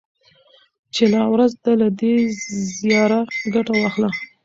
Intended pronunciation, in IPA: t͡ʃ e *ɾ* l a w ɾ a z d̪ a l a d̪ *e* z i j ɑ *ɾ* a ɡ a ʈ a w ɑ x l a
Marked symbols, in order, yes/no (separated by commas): no, yes, yes